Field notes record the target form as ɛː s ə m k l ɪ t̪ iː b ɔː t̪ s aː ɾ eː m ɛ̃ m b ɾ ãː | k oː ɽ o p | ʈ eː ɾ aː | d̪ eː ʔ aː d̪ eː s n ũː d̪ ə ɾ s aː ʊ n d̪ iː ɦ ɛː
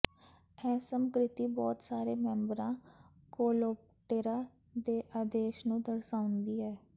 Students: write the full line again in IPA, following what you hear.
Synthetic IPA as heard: ɛː s ə m k ɾ ɪ t̪ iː b ɔː t̪ s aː ɾ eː m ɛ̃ m b ɾ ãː | k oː l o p | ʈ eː ɾ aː | d̪ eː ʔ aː d̪ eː ʃ n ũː d̪ ə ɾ s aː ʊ n d̪ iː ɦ ɛː